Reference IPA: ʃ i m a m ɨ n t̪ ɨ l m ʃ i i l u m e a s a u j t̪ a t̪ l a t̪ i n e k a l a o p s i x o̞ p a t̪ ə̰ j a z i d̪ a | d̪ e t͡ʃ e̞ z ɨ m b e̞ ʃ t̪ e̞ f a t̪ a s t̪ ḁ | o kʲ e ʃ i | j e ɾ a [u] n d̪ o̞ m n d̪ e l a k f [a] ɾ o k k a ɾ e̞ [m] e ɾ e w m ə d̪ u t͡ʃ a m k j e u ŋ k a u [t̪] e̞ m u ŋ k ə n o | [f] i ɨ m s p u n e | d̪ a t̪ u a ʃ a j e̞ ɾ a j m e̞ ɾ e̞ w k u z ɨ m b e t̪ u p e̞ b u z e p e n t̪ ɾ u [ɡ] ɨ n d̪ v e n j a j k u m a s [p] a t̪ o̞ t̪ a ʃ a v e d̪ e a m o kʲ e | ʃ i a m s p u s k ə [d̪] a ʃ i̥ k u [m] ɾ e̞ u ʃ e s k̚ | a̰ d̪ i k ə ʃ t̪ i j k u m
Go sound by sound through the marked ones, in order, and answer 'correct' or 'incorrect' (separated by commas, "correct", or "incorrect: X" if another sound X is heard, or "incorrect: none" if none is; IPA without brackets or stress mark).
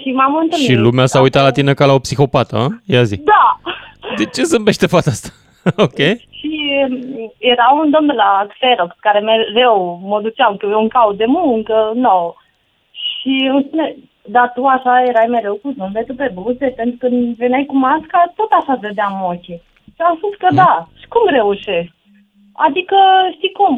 correct, incorrect: e, correct, incorrect: d̪, incorrect: ʃ, incorrect: k, incorrect: k, correct, correct